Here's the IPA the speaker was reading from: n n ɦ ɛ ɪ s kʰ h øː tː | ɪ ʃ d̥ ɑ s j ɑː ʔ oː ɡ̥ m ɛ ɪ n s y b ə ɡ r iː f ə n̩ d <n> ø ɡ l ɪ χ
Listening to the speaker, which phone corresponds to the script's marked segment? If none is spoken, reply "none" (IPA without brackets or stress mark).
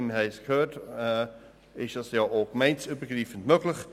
m